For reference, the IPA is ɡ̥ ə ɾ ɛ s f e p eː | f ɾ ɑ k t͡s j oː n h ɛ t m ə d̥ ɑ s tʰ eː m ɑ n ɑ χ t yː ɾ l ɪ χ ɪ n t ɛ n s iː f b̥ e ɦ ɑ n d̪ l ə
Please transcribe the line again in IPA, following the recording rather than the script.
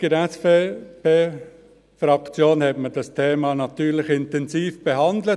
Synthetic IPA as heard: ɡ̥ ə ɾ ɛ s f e p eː | f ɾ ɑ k t͡s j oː n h ɛ t m ə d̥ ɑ s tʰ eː m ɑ n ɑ t yː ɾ l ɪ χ ɪ n t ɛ n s iː f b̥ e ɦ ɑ n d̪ l ə